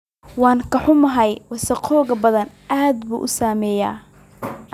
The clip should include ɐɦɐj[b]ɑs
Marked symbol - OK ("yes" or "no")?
no